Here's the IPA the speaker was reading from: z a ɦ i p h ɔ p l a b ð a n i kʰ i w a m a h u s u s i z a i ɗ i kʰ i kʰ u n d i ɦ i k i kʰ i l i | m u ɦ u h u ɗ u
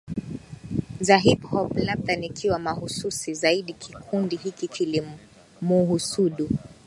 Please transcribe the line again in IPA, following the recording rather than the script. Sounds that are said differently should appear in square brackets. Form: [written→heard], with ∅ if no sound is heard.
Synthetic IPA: z a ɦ i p h ɔ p l a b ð a n i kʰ i w a m a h u s u s i z a i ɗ i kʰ i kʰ u n d i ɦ i k i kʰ i l i | m u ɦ u [h→s] u ɗ u